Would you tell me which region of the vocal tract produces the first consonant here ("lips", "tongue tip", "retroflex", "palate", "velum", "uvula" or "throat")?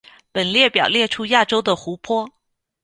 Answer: lips